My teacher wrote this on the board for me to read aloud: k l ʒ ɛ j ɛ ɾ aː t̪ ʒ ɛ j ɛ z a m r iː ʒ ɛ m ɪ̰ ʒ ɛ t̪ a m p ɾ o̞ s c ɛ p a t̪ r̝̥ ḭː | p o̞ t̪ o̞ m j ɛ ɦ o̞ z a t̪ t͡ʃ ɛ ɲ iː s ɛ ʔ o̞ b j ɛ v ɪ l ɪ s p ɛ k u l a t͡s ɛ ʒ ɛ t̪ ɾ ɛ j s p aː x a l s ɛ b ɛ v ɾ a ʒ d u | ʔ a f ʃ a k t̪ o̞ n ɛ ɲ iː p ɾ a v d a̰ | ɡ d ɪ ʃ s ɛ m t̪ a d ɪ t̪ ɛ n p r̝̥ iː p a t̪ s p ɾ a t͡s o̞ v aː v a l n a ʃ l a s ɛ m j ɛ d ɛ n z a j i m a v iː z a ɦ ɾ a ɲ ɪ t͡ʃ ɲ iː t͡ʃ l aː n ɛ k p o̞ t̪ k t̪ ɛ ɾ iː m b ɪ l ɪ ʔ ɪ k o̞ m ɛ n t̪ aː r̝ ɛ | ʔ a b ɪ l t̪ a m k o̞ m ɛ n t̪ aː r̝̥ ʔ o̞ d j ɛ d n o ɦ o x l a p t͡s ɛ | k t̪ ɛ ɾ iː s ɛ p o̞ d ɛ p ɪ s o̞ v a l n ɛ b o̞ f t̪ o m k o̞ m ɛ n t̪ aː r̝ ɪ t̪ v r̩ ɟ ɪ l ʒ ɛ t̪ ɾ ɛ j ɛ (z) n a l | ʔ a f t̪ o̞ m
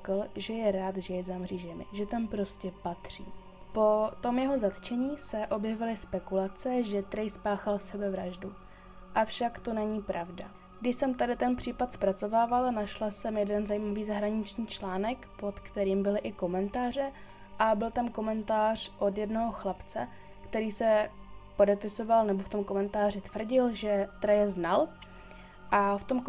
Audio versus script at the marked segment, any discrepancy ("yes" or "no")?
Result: no